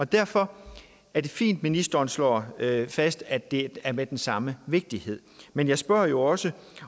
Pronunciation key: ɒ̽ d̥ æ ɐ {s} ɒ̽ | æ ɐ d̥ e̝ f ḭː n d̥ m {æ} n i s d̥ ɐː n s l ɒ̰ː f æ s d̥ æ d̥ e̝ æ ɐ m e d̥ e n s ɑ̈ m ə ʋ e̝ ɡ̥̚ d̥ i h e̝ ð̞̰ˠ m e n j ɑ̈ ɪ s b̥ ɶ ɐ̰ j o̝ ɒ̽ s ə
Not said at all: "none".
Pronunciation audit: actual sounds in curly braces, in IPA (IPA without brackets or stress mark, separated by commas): f, i